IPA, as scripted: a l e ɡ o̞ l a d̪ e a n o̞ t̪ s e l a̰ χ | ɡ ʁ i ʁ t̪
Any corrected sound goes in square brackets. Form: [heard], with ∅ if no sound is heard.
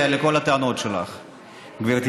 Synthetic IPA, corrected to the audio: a l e [k] o̞ l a [t̪] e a n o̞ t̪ [ʃ] e l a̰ χ | ɡ [v] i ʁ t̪